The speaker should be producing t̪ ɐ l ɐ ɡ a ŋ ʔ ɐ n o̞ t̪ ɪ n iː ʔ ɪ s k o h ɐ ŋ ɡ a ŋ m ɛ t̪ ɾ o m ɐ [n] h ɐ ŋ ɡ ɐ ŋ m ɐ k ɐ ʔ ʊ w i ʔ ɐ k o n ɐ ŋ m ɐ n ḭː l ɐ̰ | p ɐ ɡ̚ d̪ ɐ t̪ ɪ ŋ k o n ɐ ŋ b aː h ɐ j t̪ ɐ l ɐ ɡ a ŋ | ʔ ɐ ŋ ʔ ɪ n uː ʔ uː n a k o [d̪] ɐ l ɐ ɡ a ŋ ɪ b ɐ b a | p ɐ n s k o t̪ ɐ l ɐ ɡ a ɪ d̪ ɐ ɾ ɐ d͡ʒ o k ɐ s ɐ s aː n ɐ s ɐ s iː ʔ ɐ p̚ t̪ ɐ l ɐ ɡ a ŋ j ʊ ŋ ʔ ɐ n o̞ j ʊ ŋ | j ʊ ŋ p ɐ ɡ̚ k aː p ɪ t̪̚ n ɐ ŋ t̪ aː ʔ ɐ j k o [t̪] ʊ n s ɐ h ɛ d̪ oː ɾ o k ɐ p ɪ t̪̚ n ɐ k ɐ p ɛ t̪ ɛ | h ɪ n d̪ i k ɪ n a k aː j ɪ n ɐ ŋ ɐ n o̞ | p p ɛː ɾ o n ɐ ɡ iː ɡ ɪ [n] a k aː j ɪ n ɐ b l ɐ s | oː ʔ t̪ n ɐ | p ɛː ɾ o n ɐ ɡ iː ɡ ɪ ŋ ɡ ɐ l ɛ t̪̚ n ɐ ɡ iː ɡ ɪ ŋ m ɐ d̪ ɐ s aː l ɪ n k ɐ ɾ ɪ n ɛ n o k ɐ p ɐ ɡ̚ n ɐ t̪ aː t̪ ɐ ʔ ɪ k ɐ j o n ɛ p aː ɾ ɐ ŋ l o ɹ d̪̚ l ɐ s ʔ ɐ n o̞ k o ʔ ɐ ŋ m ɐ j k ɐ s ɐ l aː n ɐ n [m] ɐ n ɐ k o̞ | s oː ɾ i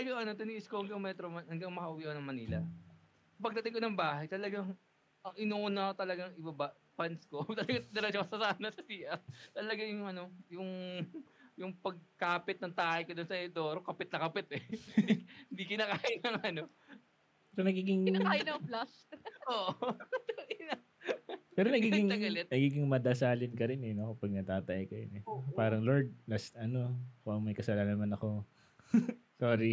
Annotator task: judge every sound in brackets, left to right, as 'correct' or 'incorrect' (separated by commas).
correct, incorrect, incorrect, incorrect, correct